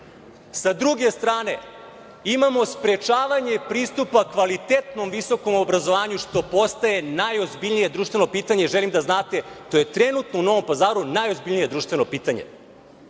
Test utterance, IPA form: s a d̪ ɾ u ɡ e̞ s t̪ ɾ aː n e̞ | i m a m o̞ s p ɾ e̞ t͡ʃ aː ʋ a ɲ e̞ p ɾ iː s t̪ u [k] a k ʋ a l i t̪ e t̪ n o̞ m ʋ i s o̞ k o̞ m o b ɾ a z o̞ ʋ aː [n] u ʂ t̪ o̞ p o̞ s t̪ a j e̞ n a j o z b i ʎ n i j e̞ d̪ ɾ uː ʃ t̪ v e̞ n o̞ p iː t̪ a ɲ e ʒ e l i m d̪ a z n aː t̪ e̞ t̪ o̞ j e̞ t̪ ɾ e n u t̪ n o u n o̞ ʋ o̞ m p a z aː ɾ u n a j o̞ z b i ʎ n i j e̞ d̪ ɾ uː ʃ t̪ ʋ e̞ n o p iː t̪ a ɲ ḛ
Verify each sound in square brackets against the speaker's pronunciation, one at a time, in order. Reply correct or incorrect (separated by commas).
incorrect, incorrect